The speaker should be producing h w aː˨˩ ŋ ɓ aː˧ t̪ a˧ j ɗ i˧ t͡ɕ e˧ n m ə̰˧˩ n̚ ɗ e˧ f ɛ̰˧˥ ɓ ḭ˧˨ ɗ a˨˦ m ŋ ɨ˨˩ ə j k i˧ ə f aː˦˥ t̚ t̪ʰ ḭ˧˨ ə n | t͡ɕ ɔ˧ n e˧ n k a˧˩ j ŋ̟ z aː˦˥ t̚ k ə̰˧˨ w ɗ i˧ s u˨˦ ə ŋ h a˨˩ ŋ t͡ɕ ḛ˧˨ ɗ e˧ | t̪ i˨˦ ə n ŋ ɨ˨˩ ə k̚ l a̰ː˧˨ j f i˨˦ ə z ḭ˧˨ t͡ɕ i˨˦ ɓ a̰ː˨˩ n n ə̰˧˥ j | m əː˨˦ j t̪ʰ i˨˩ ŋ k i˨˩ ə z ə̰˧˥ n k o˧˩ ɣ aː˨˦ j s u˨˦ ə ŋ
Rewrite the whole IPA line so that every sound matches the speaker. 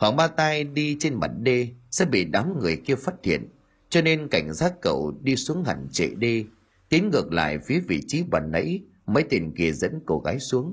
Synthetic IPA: h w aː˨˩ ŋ ɓ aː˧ t̪ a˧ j ɗ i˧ t͡ɕ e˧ n m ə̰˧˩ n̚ ɗ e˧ s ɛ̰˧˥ ɓ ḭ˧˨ ɗ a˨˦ m ŋ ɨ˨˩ ə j k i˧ ə f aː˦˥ t̚ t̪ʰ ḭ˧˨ ə n | t͡ɕ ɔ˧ n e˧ n k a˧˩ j ŋ̟ z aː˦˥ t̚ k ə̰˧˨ w ɗ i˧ s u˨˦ ə ŋ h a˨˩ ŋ t͡ɕ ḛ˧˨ ɗ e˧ | t̪ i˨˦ ə n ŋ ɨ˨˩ ə k̚ l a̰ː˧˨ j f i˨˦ ə v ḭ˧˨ t͡ɕ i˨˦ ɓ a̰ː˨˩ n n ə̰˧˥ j | m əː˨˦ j t̪ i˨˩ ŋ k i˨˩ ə z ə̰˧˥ n k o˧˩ ɣ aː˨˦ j s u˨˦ ə ŋ